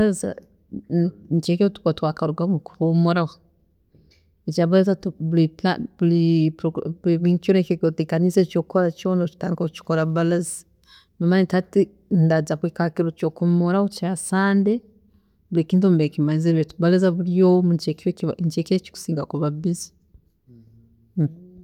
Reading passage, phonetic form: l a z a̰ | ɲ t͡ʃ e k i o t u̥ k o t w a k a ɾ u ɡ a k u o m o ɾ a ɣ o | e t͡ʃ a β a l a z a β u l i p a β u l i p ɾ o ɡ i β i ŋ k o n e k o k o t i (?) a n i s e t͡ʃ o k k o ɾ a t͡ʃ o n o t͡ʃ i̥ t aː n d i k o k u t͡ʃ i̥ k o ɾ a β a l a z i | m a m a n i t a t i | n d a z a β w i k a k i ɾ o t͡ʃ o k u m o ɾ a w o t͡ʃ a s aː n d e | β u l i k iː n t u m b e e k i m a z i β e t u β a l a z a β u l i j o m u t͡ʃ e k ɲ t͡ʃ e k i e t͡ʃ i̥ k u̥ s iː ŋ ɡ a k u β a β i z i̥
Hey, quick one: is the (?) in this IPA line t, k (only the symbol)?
k